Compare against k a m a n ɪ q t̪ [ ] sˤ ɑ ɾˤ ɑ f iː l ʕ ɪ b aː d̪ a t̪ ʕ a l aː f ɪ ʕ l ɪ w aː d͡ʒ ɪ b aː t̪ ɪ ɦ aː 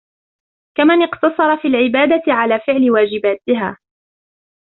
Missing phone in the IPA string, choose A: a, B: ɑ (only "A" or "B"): B